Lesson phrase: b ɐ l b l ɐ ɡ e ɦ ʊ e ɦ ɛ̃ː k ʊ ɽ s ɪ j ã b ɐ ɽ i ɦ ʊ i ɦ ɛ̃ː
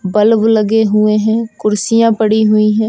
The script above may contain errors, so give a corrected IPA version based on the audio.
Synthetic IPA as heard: b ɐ l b l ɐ ɡ e ɦ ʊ e ɦ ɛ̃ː k ʊ ɾ s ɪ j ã p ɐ ɽ i ɦ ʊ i ɦ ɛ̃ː